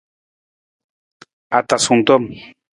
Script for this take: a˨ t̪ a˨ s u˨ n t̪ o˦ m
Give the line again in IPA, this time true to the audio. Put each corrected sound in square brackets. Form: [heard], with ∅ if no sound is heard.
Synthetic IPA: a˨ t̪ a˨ s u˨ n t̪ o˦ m